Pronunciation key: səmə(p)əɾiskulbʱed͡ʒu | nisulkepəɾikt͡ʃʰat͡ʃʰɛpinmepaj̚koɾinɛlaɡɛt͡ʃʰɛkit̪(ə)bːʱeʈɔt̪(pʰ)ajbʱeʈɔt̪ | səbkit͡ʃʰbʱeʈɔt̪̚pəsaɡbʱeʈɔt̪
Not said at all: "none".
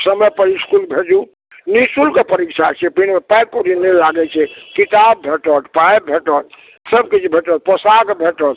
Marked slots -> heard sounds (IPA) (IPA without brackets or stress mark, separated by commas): p, a, p